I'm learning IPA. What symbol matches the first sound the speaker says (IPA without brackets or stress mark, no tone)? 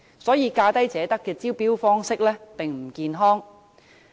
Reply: s